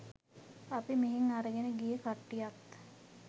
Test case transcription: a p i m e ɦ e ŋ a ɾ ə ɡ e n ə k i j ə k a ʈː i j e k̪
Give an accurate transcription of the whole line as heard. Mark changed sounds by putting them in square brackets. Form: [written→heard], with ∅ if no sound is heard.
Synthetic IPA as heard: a p i m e ɦ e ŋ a ɾ ə ɡ e n ə [k→ɡ] i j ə k a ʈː i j [e→a] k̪